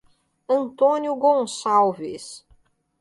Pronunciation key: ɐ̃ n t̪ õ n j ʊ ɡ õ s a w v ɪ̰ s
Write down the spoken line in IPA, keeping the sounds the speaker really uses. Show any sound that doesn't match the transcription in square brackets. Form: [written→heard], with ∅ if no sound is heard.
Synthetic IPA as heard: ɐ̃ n t̪ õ n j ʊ ɡ õ s a w v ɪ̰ s

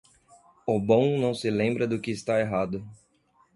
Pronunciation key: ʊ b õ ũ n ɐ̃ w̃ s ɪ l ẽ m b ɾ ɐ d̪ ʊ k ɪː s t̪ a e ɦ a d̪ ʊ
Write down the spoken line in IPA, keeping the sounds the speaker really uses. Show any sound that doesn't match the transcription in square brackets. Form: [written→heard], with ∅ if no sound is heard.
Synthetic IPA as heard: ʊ b õ [ũ→w̃] n ɐ̃ w̃ s ɪ l ẽ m b ɾ ɐ d̪ ʊ k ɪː s t̪ a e ɦ a d̪ ʊ

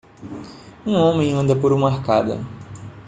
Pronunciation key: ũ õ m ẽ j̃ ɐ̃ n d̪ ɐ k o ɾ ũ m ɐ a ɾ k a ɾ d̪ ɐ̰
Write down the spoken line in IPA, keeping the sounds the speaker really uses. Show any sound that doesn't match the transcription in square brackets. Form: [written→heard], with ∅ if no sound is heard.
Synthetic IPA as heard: ũ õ m ẽ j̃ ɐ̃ n d̪ ɐ [k→p] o ɾ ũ m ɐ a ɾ k a [ɾ→∅] d̪ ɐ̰

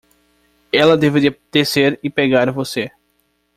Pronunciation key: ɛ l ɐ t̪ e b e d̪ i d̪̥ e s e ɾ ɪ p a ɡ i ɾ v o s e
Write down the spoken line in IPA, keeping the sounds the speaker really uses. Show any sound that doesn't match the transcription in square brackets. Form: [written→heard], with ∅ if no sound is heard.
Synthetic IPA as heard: ɛ l ɐ [t̪→d̪] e [b→v] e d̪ i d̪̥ e s e ɾ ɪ p [a→e] ɡ [i→a] ɾ v o s e

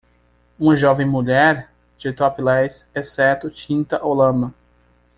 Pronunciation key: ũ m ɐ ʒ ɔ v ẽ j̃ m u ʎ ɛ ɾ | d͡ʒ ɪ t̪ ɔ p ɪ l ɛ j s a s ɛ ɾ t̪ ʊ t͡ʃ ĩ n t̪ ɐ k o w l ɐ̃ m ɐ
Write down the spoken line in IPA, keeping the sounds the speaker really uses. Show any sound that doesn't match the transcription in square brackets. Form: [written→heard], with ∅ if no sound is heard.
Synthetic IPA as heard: ũ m ɐ ʒ ɔ v ẽ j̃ m u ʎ ɛ ɾ | d͡ʒ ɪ t̪ ɔ p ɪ l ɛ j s [a→ɛ] s ɛ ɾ t̪ ʊ t͡ʃ ĩ n t̪ ɐ [k→ʔ] o w l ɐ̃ m ɐ

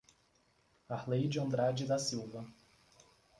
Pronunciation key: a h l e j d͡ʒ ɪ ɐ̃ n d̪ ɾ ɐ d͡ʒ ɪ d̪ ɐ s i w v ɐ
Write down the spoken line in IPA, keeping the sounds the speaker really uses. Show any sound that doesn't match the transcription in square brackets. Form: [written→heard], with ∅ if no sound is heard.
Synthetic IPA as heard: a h l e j d͡ʒ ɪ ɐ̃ n d̪ ɾ [ɐ→a] d͡ʒ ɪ d̪ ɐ s i w v ɐ

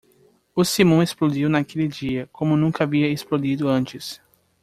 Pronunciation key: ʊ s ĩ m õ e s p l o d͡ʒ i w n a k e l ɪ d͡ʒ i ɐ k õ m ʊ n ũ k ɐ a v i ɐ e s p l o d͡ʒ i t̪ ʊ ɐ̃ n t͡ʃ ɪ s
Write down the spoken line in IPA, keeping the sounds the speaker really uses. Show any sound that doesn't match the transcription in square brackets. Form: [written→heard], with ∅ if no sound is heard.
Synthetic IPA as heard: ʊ s [ĩ→i] m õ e s p l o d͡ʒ i w n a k e l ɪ d͡ʒ i ɐ k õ m ʊ n ũ k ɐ a v i ɐ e s p l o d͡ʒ i [t̪→d̪] ʊ ɐ̃ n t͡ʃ ɪ s

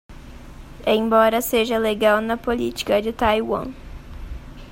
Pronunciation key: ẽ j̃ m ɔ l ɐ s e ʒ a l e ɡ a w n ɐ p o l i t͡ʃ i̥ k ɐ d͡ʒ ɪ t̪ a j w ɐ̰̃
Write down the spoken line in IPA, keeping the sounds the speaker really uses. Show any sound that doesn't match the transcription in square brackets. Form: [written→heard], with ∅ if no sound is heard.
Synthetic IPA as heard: ẽ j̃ [m→b] ɔ [l→ɾ] ɐ s e ʒ [a→ɐ] l e ɡ a w n ɐ p o l i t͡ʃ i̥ k ɐ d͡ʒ ɪ t̪ a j w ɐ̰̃

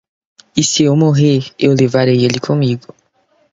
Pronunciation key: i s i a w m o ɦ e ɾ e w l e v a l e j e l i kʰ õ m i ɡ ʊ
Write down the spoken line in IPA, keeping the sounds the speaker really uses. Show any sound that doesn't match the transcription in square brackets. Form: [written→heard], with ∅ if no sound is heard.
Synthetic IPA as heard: i s i [a→e] w m o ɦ e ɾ e w l e v a [l→ɾ] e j e l i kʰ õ m i ɡ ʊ

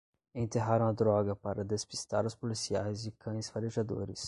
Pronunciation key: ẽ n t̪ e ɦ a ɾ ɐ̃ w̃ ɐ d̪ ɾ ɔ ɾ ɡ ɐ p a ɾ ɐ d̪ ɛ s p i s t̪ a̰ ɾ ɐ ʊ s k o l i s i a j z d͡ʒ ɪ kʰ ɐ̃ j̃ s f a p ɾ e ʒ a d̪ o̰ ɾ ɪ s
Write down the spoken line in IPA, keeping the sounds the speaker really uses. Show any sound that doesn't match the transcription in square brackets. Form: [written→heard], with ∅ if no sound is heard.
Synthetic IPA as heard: ẽ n t̪ e ɦ a ɾ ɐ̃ w̃ ɐ d̪ ɾ ɔ [ɾ→∅] ɡ ɐ p a ɾ ɐ d̪ [ɛ→e] s p i s t̪ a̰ ɾ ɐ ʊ s [k→p] o l i s i a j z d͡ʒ ɪ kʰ ɐ̃ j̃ s f a [p→∅] ɾ e ʒ a d̪ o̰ ɾ ɪ s

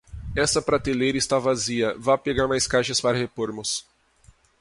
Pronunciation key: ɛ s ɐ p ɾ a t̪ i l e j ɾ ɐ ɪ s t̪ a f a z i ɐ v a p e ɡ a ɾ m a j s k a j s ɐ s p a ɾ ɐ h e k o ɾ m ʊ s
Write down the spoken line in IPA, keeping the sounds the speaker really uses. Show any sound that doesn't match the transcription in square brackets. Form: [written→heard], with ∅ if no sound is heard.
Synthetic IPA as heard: ɛ s ɐ p ɾ a t̪ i l e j ɾ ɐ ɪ s t̪ a [f→v] a z i ɐ v a p e ɡ a ɾ m a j s k a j [s→ʃ] ɐ s p a ɾ ɐ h e [k→p] o ɾ m ʊ s

